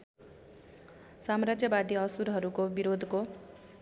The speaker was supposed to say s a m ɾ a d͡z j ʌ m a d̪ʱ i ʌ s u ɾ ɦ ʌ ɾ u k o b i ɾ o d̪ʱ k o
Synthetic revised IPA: s a m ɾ a d͡z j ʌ b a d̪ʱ i ʌ s u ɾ ɦ ʌ ɾ u k o b i ɾ o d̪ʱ k o